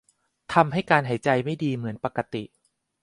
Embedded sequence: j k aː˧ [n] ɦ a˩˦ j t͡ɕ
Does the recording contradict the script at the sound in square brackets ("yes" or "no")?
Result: no